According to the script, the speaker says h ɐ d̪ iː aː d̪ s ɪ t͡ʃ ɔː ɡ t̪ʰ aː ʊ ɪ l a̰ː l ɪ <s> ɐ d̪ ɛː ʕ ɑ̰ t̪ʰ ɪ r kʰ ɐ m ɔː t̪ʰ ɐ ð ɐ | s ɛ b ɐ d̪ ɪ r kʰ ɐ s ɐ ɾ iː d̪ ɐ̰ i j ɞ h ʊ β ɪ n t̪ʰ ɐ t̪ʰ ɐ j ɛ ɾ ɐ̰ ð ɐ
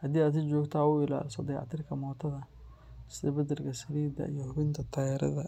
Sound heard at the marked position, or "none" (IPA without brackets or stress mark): s